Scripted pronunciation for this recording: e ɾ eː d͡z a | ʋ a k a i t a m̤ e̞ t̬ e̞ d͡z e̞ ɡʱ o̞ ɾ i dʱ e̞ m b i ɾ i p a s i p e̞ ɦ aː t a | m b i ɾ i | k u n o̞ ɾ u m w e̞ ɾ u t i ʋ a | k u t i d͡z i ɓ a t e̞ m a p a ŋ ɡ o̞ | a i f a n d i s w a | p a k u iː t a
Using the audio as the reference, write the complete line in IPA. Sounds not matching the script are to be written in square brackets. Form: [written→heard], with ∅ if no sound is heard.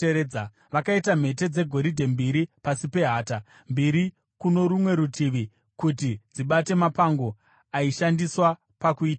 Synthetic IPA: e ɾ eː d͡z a | ʋ a k a i t a m̤ e̞ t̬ e̞ d͡z e̞ ɡʱ o̞ ɾ i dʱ e̞ m b i ɾ i p a s i p e̞ ɦ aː t a | m b i ɾ i | k u n o̞ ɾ u m w e̞ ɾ u t i ʋ [a→i] | k u t i d͡z i ɓ a t e̞ m a p a ŋ ɡ o̞ | a i [f→ʃ] a n d i s w a | p a k u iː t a